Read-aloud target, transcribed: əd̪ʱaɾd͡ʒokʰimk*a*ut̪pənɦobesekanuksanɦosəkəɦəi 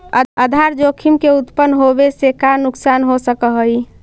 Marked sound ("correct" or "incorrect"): incorrect